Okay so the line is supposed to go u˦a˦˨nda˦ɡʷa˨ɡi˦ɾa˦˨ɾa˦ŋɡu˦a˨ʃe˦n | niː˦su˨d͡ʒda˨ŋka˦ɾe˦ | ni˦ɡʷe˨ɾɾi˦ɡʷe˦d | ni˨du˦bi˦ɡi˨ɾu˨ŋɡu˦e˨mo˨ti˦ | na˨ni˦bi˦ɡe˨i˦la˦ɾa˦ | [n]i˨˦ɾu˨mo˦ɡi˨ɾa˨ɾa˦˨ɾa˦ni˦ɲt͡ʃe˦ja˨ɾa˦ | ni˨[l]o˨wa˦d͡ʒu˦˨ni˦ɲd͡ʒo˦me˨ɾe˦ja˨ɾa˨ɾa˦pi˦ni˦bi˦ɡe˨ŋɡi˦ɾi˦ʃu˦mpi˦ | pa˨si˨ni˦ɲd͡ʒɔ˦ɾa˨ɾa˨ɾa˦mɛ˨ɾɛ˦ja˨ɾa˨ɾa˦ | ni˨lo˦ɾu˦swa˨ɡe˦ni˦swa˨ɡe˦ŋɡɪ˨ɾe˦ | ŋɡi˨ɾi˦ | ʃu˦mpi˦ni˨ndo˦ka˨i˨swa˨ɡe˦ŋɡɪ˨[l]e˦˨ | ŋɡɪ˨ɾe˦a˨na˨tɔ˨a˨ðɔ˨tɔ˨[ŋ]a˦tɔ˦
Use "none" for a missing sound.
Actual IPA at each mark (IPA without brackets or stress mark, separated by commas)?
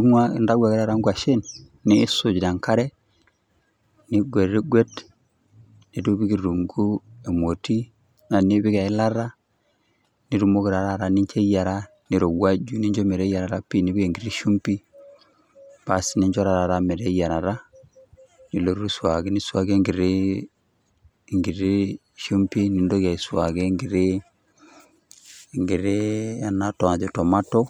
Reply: n, ɾ, ɾ, m